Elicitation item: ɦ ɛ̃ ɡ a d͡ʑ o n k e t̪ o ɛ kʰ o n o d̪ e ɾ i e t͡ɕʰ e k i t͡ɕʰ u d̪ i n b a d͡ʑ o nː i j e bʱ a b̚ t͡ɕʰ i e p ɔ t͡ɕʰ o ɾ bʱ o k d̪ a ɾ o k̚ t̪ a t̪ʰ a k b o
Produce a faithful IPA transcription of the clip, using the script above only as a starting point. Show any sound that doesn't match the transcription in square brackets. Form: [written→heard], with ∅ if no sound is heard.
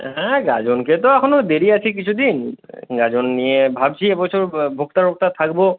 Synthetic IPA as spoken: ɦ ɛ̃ ɡ a d͡ʑ o n k e t̪ o ɛ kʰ o n o d̪ e ɾ i [e→a] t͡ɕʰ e k i t͡ɕʰ u d̪ i n [b→ɡ] a d͡ʑ o nː i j e bʱ a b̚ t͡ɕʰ i e [p→b] ɔ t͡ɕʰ o ɾ bʱ o k [d̪→t̪] a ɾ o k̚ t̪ a t̪ʰ a k b o